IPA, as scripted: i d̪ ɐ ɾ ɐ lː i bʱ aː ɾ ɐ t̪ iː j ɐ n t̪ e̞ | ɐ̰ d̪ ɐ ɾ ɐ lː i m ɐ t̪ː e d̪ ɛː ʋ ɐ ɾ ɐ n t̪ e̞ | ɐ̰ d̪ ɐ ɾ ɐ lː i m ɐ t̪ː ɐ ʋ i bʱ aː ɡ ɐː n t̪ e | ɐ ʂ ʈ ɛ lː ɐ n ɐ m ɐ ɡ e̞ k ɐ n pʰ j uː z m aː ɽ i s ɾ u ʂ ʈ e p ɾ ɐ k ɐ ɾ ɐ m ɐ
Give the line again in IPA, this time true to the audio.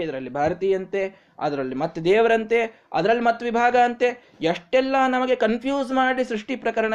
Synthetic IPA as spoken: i d̪ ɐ ɾ ɐ lː i bʱ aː ɾ ɐ t̪ iː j ɐ n t̪ e̞ | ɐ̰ d̪ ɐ ɾ ɐ lː i m ɐ t̪ː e d̪ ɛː ʋ ɐ ɾ ɐ n t̪ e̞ | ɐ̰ d̪ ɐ ɾ ɐ lː i m ɐ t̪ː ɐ ʋ i bʱ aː ɡ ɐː n t̪ e | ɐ ʂ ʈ ɛ lː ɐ n ɐ m ɐ ɡ e̞ k ɐ n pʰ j uː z m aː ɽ i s ɾ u ʂ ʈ i p ɾ ɐ k ɐ ɾ ɐ ɳ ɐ